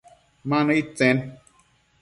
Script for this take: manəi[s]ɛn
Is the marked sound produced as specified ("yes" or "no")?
no